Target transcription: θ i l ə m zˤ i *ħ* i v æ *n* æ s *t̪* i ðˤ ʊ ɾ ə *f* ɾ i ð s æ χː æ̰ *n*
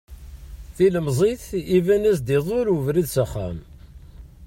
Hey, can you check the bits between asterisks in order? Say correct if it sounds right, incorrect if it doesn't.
incorrect, correct, incorrect, incorrect, incorrect

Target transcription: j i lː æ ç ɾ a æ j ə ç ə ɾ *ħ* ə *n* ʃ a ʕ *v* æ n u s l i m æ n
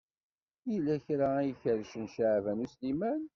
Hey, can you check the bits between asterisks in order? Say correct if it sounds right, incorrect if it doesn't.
incorrect, correct, correct

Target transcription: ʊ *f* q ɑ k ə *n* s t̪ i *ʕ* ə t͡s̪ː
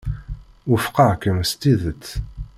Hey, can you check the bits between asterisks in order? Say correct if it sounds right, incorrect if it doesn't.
correct, incorrect, incorrect

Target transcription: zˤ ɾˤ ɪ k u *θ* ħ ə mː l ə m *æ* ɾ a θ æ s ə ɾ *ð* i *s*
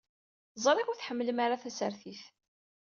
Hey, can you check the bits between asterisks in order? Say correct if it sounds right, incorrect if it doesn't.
correct, incorrect, incorrect, incorrect

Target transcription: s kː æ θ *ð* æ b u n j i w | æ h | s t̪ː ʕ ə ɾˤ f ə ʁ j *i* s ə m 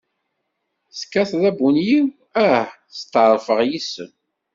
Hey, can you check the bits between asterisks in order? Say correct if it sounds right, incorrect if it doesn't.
correct, correct

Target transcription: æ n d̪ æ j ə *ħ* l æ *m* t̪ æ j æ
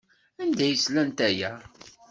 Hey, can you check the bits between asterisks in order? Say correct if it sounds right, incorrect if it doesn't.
incorrect, incorrect

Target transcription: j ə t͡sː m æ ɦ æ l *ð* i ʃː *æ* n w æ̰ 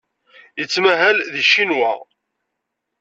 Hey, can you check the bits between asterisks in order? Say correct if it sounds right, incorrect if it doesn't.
correct, incorrect

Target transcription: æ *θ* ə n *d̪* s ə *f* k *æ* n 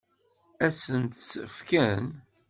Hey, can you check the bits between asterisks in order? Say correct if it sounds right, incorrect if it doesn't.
incorrect, incorrect, correct, correct

